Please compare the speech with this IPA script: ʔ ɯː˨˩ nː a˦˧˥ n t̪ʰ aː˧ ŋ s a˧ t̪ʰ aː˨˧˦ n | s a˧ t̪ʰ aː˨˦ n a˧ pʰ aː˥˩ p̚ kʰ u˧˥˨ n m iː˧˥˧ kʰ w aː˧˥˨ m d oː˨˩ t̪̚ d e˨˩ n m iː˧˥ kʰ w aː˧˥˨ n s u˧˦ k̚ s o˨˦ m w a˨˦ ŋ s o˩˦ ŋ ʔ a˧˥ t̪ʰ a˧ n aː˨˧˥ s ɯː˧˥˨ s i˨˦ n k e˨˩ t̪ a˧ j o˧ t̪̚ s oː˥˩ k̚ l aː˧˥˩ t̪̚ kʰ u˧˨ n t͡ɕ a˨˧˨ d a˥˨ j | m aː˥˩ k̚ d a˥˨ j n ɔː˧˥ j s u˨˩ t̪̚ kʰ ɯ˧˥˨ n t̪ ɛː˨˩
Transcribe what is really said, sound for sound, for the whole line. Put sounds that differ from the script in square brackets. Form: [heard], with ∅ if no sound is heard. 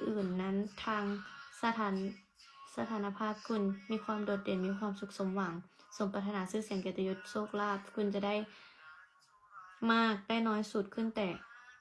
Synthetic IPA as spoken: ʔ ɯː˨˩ nː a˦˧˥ n t̪ʰ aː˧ ŋ s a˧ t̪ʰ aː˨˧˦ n | s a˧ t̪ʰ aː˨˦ n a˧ pʰ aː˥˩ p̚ kʰ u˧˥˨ n m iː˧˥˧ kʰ w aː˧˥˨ m d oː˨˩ t̪̚ d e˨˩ n m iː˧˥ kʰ w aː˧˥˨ [m] s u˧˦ k̚ s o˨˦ m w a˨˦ ŋ s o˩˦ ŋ [p] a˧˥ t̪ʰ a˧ n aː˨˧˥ s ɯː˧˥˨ s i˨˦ [ŋ] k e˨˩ t̪ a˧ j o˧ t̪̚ s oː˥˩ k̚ l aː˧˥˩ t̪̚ kʰ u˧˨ n t͡ɕ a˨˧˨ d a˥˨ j | m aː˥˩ k̚ d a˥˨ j n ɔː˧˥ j s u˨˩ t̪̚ kʰ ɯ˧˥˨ n t̪ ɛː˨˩